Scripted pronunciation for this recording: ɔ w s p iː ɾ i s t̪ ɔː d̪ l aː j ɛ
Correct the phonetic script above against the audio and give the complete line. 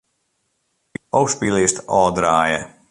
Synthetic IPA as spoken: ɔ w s p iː l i s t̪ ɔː d̪ ɾ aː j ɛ